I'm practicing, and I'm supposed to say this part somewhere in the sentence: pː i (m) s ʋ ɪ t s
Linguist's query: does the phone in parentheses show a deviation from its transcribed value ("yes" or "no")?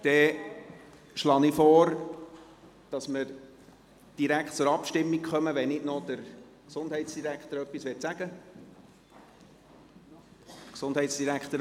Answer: yes